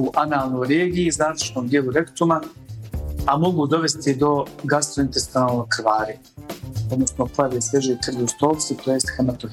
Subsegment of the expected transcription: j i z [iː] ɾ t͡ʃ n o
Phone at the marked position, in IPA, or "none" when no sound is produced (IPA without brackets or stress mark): aː